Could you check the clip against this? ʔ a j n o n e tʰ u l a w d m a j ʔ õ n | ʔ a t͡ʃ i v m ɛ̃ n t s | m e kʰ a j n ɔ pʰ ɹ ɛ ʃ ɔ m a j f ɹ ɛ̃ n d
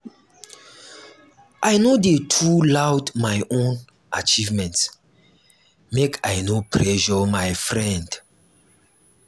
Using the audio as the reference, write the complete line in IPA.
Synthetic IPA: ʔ a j n o d e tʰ u l a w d m a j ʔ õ n | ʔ a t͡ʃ i v m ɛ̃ n t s | m e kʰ a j n o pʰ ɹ ɛ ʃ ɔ m a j f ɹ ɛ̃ n d